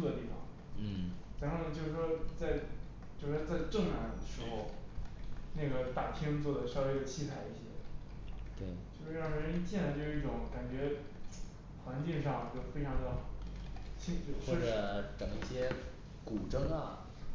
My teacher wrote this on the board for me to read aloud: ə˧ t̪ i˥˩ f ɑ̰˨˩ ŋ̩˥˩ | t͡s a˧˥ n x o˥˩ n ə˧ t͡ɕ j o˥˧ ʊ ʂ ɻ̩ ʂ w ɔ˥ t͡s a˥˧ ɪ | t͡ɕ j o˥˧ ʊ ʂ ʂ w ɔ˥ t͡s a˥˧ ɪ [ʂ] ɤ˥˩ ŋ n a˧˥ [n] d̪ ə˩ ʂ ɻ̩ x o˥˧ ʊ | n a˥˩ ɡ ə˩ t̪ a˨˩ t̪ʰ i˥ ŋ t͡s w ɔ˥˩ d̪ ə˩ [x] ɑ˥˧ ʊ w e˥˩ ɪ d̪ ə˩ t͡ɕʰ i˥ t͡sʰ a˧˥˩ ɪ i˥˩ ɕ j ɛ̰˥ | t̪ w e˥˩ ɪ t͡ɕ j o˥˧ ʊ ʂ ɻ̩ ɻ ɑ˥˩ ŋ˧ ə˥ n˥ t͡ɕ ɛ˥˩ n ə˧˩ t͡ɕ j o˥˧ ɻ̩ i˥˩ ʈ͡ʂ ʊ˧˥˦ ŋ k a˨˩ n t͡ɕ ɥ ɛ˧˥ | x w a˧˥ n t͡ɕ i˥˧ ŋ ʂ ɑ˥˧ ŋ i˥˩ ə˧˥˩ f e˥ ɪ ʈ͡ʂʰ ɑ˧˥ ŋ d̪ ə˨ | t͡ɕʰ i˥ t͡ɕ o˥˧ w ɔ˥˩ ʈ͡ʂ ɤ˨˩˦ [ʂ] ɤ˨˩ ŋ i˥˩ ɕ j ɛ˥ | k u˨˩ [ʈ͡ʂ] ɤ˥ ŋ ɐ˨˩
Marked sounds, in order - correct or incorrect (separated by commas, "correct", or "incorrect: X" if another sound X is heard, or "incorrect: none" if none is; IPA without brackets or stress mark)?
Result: incorrect: ʈ͡ʂ, correct, incorrect: ʂ, incorrect: ʈ͡ʂ, correct